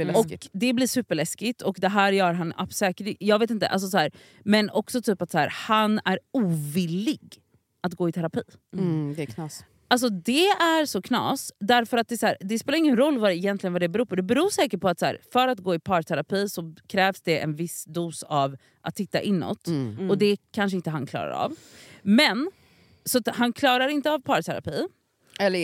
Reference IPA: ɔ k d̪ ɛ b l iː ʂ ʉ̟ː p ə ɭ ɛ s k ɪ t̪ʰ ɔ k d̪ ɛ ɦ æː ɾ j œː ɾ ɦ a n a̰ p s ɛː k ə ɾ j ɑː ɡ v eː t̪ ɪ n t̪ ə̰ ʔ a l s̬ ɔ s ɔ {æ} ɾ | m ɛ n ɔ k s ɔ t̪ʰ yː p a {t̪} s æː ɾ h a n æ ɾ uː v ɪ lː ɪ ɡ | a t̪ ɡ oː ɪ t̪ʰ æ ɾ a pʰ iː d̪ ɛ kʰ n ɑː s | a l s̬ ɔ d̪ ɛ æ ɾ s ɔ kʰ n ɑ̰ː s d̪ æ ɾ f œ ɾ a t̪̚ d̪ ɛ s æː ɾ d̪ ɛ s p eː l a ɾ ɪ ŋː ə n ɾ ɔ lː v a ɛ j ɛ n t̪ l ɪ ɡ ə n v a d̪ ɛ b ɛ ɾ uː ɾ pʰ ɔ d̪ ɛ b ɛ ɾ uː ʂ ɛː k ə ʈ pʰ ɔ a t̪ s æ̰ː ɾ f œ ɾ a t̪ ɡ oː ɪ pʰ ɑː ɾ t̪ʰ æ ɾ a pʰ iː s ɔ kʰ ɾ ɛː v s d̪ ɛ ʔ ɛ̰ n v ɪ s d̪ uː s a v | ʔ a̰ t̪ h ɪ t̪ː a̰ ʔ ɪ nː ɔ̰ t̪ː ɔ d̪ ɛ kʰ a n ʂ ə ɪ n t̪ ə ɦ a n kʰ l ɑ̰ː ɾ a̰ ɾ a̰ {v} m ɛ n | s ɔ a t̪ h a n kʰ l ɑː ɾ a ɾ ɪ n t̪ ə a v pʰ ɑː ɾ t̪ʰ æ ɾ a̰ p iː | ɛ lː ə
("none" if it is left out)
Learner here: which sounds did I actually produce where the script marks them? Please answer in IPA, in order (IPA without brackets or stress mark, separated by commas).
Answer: æː, t̪, v